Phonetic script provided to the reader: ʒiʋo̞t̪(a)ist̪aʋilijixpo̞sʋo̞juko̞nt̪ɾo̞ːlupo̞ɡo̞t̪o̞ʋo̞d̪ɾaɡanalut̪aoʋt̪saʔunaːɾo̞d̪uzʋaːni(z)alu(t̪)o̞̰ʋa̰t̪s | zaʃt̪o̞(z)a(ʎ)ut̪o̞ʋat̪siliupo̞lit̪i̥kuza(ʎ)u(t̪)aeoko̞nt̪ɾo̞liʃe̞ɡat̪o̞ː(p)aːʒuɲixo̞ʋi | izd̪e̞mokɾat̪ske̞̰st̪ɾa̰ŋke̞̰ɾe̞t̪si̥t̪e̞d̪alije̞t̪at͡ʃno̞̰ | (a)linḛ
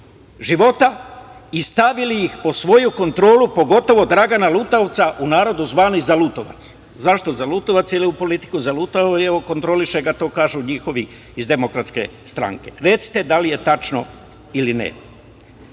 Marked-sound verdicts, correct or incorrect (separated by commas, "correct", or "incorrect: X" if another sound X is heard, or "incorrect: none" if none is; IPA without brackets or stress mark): correct, correct, correct, correct, incorrect: l, incorrect: l, correct, incorrect: k, incorrect: i